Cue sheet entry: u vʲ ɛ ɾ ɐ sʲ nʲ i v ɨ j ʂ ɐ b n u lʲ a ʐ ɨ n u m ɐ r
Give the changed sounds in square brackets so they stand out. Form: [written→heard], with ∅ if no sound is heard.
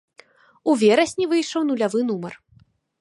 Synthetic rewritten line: u vʲ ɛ ɾ ɐ sʲ nʲ i v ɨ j ʂ ɐ [b→w] n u lʲ a [ʐ→v] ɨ n u m ɐ r